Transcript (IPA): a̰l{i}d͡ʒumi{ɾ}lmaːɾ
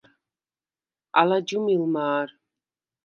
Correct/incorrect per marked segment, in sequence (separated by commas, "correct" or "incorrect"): incorrect, incorrect